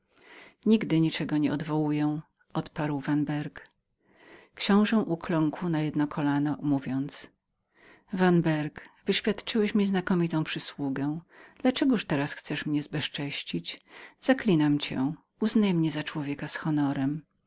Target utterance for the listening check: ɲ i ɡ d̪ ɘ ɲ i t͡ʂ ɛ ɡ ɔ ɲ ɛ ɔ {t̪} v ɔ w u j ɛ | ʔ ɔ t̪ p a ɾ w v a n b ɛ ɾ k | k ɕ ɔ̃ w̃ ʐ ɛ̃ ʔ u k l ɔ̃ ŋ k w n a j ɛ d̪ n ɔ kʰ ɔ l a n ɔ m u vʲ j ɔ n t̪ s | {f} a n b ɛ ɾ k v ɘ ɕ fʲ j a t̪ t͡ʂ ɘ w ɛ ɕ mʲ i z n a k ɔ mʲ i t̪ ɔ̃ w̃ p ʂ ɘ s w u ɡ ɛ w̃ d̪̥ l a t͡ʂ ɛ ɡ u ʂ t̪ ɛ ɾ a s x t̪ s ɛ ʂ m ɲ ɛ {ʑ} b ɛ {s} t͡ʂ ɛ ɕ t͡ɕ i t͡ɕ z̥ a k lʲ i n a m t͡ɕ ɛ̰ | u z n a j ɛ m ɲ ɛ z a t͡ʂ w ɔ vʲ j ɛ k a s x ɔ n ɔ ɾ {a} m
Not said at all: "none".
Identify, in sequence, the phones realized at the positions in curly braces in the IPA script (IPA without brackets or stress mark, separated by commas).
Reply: d̪, v, z, ʂ, ɛ